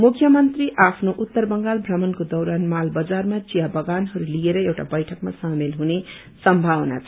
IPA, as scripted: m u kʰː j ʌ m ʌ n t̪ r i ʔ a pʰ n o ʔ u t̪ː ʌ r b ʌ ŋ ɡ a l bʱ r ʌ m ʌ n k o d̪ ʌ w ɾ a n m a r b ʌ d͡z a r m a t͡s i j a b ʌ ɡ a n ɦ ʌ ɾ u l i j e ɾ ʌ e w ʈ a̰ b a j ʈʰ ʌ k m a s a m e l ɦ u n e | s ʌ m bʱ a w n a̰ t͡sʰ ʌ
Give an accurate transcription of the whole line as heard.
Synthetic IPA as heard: m u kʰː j ʌ m ʌ n t̪ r i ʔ a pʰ n o ʔ u t̪ː ʌ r b ʌ ŋ ɡ a l bʱ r ʌ m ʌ n k o d̪ ʌ w ɾ a n m a l b ʌ d͡z a r m a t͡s i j a b ʌ ɡ a n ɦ ʌ ɾ u l i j e ɾ ʌ e w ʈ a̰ b ʌ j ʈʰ ʌ k m a s a m e l ɦ u n e | s ʌ m bʱ a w n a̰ t͡sʰ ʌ

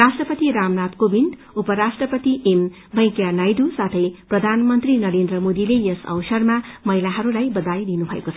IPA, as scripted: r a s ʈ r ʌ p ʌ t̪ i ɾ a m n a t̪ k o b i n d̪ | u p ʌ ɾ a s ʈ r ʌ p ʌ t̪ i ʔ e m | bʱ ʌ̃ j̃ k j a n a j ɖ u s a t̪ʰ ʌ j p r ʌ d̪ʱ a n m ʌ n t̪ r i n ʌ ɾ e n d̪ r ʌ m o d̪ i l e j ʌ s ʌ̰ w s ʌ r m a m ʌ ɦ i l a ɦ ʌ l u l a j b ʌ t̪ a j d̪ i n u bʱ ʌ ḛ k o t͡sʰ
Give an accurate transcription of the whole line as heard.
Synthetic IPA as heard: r a s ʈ r ʌ p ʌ t̪ i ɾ a m n a t̪ k o b i n d̪ | u p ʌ ɾ a s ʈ r ʌ p ʌ t̪ i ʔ e m | bʱ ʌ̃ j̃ k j a n a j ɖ u s a t̪ʰ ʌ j p r ʌ d̪ʱ a n m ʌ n t̪ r i n ʌ ɾ e n d̪ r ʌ m o d̪ i l e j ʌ s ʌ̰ w s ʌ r m a m ʌ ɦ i l a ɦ ʌ ɾ u l a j b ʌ d̪ a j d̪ i n u bʱ ʌ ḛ k o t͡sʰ

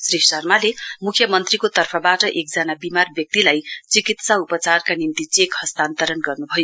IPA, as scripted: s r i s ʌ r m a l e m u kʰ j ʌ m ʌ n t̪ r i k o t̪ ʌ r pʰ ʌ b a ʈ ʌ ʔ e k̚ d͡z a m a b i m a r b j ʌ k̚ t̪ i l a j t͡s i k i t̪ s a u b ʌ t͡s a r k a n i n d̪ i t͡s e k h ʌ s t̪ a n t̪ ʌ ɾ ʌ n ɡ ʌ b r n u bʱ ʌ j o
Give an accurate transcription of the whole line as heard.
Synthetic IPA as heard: s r i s ʌ r m a l e m u kʰ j ʌ m ʌ n t̪ r i k o t̪ ʌ r pʰ ʌ b a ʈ ʌ ʔ e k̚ d͡z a n a b i m a r b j ʌ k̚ t̪ i l a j t͡s i k i t̪ s a u p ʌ t͡s a r k a n i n t̪ i t͡s e k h ʌ s t̪ a n t̪ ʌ ɾ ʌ n ɡ ʌ r n u bʱ ʌ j o

